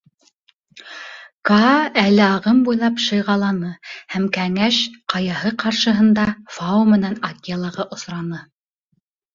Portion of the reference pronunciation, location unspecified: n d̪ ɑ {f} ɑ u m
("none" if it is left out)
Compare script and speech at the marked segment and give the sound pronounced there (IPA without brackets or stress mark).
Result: f